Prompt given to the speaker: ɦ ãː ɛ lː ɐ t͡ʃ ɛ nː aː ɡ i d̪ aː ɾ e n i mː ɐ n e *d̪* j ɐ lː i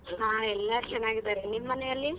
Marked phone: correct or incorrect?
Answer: incorrect